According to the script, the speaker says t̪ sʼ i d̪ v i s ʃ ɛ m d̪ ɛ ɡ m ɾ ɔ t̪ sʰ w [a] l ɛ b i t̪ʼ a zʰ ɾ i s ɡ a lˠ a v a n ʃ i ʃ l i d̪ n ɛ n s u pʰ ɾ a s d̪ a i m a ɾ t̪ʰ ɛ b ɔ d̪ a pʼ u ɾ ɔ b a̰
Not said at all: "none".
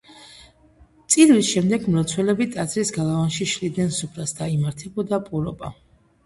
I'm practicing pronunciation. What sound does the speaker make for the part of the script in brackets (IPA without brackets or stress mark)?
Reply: ɛ